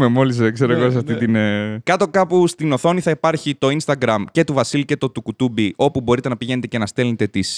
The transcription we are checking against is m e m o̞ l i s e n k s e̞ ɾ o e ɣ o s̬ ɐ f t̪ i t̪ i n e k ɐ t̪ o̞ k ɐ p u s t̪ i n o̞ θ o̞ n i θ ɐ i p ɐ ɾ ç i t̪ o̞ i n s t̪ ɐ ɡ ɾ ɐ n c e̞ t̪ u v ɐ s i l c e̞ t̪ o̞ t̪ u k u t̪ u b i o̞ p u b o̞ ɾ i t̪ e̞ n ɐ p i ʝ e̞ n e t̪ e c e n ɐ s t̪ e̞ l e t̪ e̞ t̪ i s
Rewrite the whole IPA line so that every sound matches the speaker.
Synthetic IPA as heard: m e m o̞ l i s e k s e̞ ɾ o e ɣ o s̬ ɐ f t̪ i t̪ i n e k ɐ t̪ o̞ k ɐ p u s t̪ i n o̞ θ o̞ n i θ ɐ i p ɐ ɾ ç i t̪ o̞ i n s t̪ ɐ ɡ ɾ ɐ m c e̞ t̪ u v ɐ s i l c e̞ t̪ o̞ t̪ u k u t̪ u b i o̞ p u b o̞ ɾ i t̪ e̞ n ɐ p i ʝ e̞ n e t̪ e c e n ɐ s t̪ e̞ l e t̪ e̞ t̪ i s